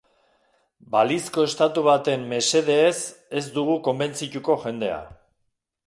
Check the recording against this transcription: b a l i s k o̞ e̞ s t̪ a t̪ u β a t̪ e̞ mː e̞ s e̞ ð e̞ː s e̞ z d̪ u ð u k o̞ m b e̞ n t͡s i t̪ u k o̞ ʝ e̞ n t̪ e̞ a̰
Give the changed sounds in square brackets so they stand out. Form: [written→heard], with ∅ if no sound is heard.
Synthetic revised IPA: b a l i s k o̞ e̞ s t̪ a t̪ u β a t̪ e̞ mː e̞ s e̞ ð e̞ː s e̞ z d̪ u [ð→ɣ] u k o̞ m b e̞ n t͡s i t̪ u k o̞ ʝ e̞ n [t̪→d̪] e̞ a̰